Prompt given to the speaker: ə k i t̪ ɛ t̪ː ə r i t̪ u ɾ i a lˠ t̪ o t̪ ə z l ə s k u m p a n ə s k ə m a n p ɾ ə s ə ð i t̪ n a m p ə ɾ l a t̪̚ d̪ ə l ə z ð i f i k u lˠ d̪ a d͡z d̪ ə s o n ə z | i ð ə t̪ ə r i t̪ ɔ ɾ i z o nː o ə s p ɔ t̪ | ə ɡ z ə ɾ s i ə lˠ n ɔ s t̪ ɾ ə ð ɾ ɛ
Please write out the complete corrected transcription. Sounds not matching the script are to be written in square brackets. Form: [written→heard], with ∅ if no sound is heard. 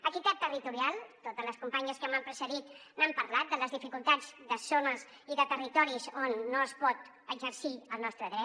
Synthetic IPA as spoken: ə k i t̪ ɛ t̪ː ə r i t̪ u ɾ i a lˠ t̪ o t̪ ə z l ə s k u m p a [n→ɲ] ə s k ə m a [n→m] p ɾ ə s ə ð i t̪ n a m p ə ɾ l a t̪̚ d̪ ə l ə z ð i f i k u lˠ [d̪→t̪] a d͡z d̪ ə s o n ə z | i ð ə t̪ ə r i t̪ ɔ ɾ i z o nː o ə s p ɔ t̪ | ə ɡ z ə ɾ s i ə lˠ n ɔ s t̪ ɾ ə ð ɾ ɛ